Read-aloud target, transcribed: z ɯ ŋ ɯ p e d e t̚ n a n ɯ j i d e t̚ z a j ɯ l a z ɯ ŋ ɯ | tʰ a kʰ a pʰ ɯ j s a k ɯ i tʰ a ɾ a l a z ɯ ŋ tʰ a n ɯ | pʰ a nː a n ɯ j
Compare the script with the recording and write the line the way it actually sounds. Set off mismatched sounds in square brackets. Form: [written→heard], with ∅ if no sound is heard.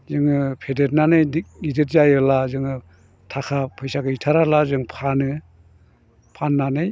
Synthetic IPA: z ɯ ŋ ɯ [p→pʰ] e d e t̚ n a n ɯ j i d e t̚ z a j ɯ l a z ɯ ŋ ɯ | tʰ a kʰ a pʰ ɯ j s a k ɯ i tʰ a ɾ a l a z ɯ ŋ [tʰ→pʰ] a n ɯ | pʰ a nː a n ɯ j